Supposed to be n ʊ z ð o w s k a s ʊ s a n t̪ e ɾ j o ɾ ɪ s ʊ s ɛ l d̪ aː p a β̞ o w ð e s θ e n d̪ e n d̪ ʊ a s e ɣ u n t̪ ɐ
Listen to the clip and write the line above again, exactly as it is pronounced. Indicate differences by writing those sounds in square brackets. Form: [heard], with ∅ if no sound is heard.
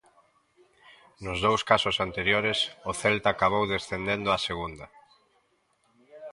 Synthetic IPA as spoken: n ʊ z ð o w s k a s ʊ s a n t̪ e ɾ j o ɾ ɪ s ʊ [θ] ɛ l [t̪] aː [k] a β̞ o w ð e s θ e n d̪ e n d̪ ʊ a s e ɣ u n [d̪] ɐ

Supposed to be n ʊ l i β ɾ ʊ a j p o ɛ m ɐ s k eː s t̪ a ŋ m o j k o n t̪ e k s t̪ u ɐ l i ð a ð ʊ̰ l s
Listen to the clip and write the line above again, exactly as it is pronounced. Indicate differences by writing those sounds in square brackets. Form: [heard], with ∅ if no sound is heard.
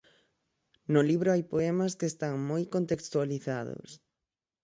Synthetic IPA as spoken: n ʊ l i β ɾ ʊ a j p o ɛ m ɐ s k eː s t̪ a ŋ m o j k o n t̪ e k s t̪ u [a] l i [θ] a ð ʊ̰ [∅] s

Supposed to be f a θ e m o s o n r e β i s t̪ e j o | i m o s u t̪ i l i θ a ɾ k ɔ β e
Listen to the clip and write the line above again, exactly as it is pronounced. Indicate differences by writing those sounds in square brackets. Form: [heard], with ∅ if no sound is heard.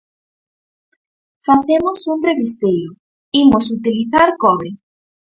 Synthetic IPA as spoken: f a θ e m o s [u] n r e β i s t̪ e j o | i m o s u t̪ i l i θ a ɾ k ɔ β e

